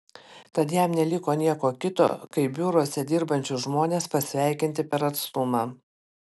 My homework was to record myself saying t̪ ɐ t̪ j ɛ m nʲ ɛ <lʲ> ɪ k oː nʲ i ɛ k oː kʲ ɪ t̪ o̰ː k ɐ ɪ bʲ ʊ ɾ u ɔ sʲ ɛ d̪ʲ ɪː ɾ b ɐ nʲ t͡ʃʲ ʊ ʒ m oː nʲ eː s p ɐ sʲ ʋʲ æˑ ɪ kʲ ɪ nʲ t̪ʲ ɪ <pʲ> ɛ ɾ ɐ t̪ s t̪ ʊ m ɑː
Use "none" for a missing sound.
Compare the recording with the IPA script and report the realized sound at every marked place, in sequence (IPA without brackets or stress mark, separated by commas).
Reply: lʲ, pʲ